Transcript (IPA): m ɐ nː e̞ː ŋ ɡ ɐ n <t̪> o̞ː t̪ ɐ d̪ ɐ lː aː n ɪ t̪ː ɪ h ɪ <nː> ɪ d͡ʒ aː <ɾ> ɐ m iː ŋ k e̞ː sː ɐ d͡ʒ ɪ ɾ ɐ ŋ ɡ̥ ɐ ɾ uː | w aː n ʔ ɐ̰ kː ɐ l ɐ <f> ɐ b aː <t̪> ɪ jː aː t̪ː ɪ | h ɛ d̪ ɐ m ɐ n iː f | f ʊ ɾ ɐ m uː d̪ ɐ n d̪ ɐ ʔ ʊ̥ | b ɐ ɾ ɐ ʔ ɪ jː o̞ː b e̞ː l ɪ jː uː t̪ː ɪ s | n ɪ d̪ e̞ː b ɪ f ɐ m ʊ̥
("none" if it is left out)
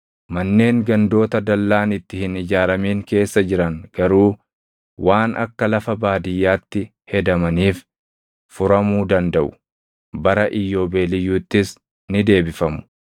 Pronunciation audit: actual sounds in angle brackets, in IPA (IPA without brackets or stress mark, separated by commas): d̪, n, ɾ, f, d̪